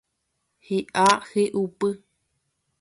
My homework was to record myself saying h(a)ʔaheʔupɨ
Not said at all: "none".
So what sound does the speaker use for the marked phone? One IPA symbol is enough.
i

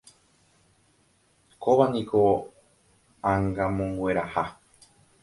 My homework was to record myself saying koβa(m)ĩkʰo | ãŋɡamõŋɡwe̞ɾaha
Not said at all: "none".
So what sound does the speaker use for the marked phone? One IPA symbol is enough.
n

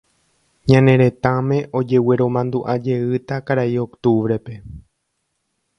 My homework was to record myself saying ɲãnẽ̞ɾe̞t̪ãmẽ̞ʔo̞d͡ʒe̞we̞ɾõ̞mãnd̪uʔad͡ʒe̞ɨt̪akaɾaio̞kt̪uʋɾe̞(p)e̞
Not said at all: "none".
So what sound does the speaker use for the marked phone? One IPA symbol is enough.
p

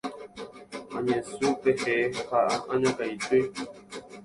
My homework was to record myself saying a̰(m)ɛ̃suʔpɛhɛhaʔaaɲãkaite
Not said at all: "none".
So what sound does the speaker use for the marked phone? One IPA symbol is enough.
ɲ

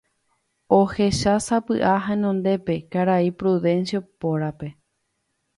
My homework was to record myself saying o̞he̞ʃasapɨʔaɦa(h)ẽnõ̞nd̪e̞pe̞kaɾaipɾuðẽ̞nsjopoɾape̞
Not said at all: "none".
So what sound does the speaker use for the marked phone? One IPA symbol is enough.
none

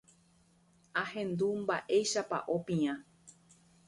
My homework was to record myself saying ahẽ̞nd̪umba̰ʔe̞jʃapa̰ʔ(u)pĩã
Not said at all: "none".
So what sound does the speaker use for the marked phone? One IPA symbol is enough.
o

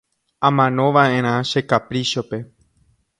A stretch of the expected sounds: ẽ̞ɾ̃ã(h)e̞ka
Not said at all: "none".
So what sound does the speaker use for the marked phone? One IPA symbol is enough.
ʃ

